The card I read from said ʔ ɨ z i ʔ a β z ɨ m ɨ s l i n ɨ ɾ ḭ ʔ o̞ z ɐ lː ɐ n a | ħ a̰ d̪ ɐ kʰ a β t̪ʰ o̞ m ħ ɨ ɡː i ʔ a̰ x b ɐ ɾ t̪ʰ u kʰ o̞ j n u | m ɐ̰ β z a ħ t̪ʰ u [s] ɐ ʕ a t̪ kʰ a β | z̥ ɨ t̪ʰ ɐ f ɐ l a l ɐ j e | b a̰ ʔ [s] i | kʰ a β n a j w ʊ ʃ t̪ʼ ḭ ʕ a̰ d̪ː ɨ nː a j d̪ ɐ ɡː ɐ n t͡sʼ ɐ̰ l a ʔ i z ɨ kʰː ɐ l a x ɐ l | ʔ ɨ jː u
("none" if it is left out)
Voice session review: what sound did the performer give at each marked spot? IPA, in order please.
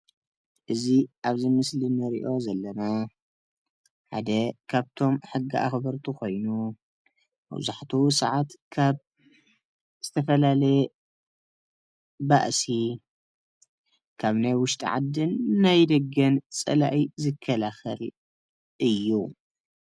s, s

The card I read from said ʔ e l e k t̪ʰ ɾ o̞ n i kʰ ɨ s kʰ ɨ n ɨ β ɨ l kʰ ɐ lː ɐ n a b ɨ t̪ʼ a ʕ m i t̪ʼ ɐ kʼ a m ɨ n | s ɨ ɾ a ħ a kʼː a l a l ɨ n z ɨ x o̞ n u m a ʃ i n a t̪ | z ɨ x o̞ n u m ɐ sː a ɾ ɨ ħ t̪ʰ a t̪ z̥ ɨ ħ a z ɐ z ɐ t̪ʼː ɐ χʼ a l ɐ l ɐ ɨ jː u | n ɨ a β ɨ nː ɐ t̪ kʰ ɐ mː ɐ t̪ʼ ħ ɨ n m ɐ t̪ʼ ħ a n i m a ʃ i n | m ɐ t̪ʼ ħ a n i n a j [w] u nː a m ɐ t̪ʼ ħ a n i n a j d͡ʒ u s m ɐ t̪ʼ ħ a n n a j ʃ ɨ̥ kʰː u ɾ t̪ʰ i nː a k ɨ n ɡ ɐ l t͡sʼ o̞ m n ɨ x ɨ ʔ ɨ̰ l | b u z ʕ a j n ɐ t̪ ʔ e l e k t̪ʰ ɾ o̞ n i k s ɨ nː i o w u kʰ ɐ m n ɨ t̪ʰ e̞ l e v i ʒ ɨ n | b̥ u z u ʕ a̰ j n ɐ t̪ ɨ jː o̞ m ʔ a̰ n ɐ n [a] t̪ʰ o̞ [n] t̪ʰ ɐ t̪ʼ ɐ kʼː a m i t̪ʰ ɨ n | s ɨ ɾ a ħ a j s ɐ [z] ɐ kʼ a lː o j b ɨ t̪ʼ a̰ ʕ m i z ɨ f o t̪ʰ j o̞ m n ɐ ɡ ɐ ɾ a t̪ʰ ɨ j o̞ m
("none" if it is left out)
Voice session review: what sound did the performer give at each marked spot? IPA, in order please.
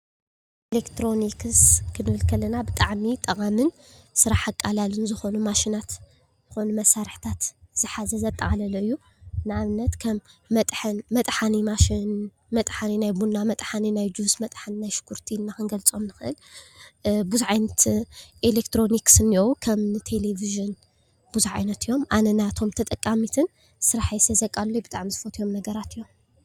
b, a, m, z

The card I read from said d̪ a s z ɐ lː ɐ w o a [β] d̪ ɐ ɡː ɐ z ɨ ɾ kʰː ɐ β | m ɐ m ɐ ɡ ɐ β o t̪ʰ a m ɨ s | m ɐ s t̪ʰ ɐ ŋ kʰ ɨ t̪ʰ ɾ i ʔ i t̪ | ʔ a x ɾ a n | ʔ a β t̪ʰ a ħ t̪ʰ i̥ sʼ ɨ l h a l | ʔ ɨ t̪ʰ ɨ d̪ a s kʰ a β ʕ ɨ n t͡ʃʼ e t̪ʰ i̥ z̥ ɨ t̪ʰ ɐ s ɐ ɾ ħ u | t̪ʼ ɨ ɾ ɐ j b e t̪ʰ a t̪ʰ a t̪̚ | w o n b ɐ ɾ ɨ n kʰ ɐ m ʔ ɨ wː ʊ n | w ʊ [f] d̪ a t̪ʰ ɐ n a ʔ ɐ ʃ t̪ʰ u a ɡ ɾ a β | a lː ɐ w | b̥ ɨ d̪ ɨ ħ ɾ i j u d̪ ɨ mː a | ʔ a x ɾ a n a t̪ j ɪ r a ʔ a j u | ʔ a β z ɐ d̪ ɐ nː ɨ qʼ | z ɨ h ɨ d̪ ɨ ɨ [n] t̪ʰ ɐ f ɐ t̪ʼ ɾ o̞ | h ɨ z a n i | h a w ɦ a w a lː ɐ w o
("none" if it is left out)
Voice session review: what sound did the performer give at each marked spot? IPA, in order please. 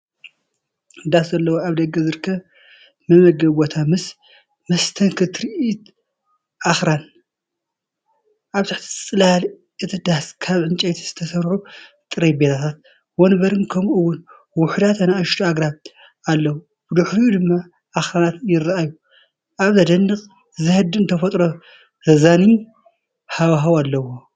β, ħ, n

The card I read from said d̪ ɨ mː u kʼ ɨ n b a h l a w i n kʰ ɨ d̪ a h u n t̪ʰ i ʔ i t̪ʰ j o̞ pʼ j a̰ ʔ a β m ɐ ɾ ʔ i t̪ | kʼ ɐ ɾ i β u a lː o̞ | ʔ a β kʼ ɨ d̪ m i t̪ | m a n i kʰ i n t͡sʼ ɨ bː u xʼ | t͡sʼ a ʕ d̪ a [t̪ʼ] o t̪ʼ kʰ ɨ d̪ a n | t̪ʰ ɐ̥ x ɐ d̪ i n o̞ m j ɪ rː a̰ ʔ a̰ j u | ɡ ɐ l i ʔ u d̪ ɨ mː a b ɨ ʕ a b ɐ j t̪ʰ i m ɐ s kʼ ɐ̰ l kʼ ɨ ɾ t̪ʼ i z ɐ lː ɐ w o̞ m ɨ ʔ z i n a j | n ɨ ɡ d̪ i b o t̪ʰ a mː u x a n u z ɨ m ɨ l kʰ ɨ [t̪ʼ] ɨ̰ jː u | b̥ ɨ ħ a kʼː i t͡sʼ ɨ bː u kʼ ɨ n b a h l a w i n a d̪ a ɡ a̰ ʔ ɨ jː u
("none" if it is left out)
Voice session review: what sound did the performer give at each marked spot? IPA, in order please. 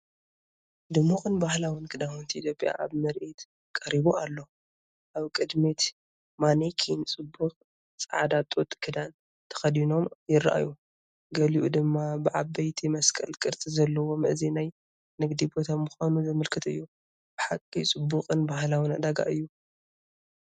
t̪ʼ, t̪

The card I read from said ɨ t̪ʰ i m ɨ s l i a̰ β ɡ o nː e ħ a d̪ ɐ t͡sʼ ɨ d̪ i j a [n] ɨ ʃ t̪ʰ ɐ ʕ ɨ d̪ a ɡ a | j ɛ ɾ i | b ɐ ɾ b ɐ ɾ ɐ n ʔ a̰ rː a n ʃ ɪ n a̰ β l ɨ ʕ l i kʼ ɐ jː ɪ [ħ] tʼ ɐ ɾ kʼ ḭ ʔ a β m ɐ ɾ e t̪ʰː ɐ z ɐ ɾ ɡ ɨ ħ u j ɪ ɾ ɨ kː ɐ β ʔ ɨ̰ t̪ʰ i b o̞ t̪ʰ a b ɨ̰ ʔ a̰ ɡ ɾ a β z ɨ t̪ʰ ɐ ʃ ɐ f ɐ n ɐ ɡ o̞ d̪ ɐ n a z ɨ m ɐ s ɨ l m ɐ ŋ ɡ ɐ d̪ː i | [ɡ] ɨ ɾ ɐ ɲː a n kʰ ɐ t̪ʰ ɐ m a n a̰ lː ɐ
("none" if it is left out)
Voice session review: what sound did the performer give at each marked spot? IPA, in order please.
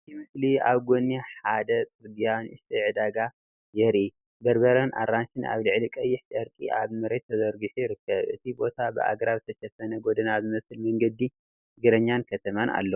n, ħ, ɡ

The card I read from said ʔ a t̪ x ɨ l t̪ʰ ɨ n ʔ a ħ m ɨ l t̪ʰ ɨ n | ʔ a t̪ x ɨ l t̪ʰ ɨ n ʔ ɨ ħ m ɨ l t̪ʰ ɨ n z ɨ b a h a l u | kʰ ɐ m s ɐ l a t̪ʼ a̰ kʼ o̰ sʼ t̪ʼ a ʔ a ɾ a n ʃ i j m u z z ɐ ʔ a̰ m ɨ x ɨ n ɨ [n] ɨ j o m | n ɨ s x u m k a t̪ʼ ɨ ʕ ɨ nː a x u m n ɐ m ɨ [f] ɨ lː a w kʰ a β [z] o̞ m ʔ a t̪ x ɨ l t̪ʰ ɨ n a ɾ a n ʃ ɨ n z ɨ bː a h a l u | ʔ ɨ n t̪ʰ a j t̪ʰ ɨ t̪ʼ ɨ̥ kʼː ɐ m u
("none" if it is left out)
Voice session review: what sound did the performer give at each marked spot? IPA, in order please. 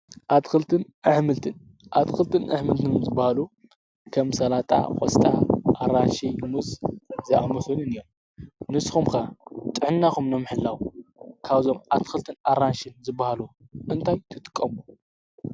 n, ħ, z

